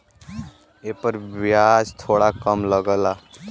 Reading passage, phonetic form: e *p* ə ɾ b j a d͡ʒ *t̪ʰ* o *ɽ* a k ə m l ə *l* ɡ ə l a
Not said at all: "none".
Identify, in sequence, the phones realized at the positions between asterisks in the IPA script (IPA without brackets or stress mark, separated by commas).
p, t̪ʰ, ɽ, none